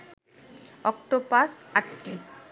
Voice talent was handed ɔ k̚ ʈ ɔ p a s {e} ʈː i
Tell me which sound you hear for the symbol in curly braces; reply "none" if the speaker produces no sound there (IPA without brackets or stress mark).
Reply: a